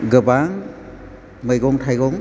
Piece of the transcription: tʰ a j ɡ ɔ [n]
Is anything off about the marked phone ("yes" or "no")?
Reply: yes